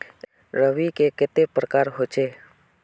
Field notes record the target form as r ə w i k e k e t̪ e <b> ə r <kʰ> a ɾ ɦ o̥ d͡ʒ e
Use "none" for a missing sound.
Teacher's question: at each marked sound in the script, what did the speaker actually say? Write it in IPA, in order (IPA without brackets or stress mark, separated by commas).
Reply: p, k